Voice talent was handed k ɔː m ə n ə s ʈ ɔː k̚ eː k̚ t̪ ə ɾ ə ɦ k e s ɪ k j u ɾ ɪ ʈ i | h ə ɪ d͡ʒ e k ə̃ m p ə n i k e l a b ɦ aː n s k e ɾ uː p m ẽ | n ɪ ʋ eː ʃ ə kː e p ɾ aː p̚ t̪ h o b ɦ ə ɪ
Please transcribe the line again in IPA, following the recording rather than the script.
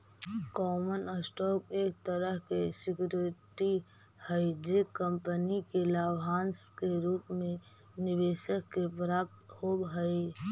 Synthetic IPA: k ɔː m ə n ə s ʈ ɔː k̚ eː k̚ t̪ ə ɾ ə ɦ k e s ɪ k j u ɾ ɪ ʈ i | h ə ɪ d͡ʒ e k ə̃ m p ə n i k e l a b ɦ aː n s k e ɾ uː p m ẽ | n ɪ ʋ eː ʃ ə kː e p ɾ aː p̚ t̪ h o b ɦ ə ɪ